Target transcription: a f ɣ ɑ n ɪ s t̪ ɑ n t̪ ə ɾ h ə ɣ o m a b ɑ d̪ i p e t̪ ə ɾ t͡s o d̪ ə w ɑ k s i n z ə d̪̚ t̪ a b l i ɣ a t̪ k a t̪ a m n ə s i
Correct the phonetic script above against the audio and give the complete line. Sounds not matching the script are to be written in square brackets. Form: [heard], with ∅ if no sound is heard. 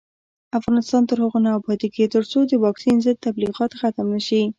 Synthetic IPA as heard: a f ɣ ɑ n ɪ s t̪ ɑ n t̪ ə ɾ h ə ɣ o [n] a b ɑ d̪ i [k] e t̪ ə ɾ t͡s o d̪ ə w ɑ k s i n z ə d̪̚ t̪ a b l i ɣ [ɑ] t̪ [x] a t̪ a m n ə [ʃ] i